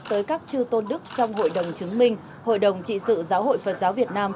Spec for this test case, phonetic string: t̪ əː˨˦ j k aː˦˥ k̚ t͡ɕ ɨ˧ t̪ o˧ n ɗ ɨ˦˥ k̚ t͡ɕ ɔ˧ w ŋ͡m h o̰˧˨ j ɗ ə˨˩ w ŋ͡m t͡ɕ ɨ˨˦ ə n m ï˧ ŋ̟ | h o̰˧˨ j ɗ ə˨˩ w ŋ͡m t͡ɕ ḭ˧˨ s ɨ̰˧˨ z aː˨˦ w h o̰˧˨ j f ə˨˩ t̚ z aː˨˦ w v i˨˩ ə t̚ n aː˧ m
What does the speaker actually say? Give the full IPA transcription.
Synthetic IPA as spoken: t̪ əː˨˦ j k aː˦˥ k̚ t͡ɕ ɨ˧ t̪ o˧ n ɗ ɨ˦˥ k̚ t͡ɕ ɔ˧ w ŋ͡m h o̰˧˨ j ɗ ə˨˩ w ŋ͡m t͡ɕ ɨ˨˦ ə ŋ m ï˧ ŋ̟ | h o̰˧˨ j ɗ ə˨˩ w ŋ͡m t͡ɕ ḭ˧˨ s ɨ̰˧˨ z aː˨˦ w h o̰˧˨ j f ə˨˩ t̚ z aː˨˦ w v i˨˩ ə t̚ n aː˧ m